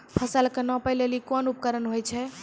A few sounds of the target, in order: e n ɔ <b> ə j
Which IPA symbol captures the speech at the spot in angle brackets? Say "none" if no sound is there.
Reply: p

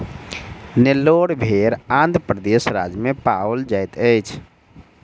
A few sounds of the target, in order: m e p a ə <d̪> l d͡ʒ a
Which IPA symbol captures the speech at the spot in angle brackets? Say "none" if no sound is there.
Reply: none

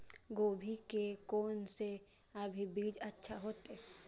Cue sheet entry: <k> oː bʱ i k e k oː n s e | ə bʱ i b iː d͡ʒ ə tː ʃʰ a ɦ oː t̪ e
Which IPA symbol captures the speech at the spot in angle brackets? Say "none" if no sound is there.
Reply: ɡ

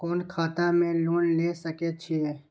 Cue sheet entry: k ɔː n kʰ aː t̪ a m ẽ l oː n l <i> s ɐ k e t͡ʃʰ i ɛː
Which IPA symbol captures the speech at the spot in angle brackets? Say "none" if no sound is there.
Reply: e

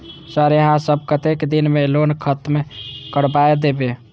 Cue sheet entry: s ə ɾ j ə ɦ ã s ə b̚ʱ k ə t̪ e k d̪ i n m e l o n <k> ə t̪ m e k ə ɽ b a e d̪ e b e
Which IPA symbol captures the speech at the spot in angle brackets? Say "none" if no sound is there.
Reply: kʰ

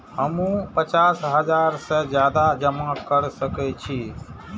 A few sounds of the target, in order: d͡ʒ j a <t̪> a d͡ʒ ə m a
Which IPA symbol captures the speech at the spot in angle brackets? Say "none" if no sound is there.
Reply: d̪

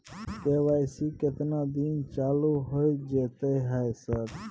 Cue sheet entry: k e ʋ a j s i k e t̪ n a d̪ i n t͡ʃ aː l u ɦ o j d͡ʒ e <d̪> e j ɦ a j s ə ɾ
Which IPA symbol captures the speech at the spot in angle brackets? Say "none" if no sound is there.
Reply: t̪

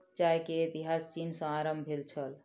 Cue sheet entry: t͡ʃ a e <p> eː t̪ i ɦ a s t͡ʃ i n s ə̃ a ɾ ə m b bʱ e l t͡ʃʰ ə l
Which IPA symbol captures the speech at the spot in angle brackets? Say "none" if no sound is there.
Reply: k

